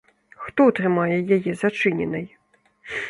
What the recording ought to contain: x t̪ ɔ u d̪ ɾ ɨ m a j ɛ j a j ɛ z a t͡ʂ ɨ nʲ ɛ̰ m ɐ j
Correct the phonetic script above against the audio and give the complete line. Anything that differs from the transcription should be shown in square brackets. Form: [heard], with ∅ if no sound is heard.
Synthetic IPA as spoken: x t̪ ɔ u [t̪] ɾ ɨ m a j ɛ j a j ɛ z a t͡ʂ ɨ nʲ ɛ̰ [n] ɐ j